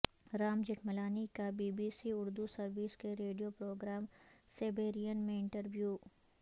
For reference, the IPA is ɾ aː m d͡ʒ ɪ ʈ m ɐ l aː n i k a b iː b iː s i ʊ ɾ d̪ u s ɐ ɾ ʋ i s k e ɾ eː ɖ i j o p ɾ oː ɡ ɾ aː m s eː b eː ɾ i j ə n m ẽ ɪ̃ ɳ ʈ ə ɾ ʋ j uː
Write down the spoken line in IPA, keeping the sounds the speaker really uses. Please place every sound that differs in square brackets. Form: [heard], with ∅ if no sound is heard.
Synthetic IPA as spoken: ɾ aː m d͡ʒ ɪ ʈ m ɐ l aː n i k a b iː b iː s i ʊ ɾ d̪ u s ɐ ɾ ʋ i s k e ɾ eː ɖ i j o p ɾ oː ɡ ɾ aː m s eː b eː ɾ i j ə n m ẽ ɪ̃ ɳ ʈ ə ɾ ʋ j uː

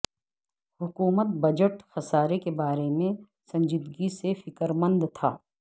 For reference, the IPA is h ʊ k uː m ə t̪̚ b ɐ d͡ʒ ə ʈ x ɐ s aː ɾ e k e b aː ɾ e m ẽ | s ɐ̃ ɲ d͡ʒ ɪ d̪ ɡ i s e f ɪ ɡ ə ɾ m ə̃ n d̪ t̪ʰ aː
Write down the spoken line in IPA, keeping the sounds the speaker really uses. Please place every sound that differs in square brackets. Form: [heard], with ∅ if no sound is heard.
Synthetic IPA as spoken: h ʊ k uː m ə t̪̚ b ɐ d͡ʒ ə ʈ x ɐ s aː ɾ e k e b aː ɾ e m ẽ | s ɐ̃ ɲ d͡ʒ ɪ d̪ ɡ i s e f ɪ [k] ə ɾ m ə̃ n d̪ t̪ʰ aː

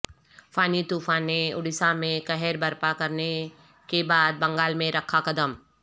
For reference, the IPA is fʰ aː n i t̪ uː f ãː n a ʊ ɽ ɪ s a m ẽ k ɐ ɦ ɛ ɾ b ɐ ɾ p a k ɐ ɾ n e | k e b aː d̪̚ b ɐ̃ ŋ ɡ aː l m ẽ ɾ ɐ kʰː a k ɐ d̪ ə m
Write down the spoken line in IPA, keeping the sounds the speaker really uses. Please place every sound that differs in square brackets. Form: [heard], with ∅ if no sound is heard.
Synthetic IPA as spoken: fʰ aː n i t̪ uː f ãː n [e] ʊ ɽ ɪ s a m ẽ k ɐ ɦ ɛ ɾ b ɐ ɾ p a k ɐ ɾ n e | k e b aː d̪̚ b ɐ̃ ŋ ɡ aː l m ẽ ɾ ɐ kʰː a k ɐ d̪ ə m

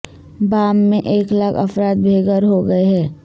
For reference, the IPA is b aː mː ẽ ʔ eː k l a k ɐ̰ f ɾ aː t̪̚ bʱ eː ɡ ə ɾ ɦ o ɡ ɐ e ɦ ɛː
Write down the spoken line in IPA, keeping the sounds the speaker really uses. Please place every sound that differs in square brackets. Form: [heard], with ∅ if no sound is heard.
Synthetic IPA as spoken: b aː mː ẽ ʔ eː k l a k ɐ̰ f ɾ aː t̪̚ bʱ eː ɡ ə ɾ ɦ o ɡ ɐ e ɦ ɛː

